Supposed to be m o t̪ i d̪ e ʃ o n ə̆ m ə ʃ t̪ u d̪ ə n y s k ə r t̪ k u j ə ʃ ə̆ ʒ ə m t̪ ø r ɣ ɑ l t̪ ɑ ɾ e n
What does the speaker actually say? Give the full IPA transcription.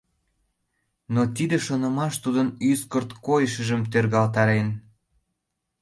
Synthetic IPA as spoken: n o t̪ i d̪ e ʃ o n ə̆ m ɑ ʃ t̪ u d̪ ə n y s k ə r t̪ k o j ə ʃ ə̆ ʒ ə m t̪ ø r ɣ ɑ l t̪ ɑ ɾ e n